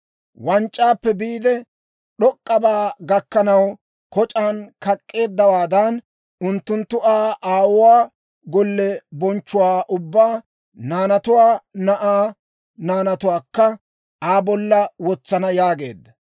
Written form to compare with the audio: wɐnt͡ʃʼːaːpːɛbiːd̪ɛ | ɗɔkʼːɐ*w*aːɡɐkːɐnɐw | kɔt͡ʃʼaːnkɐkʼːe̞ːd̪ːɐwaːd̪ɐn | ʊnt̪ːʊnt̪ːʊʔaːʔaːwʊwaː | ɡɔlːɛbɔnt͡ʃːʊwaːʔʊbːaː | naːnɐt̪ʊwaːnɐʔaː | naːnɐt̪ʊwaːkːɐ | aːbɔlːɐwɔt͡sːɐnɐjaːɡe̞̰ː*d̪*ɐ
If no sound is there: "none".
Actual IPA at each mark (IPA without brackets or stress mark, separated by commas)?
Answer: b, d̪ː